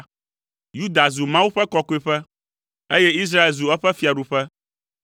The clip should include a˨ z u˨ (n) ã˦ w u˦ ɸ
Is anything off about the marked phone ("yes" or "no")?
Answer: yes